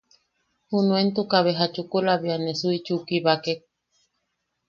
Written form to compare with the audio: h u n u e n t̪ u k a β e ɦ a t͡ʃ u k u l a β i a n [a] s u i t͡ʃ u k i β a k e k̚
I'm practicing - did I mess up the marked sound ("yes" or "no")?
yes